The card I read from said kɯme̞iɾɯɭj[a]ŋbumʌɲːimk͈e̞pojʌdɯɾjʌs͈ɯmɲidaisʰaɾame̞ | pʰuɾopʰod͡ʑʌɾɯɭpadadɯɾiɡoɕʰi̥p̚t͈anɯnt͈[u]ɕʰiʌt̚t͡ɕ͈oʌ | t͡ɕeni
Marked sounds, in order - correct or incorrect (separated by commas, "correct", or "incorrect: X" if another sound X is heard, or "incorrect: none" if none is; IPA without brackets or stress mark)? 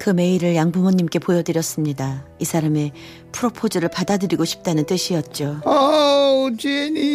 correct, incorrect: ɯ